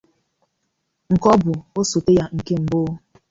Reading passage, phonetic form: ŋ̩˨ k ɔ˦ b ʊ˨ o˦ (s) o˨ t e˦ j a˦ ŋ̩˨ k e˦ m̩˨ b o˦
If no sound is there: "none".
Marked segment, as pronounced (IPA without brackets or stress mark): s